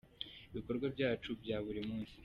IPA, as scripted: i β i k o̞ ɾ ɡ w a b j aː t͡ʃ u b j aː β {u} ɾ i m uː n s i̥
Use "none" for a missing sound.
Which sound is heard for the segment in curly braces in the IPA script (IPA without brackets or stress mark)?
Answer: u